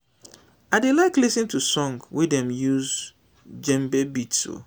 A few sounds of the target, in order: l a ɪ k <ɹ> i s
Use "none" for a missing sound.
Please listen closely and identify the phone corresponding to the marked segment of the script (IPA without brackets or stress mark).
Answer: l